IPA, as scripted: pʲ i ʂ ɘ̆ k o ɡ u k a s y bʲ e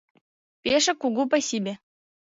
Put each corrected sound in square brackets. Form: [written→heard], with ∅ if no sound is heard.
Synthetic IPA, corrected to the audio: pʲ [i→e] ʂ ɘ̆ k [o→u] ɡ u [k→p] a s [y→i] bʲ e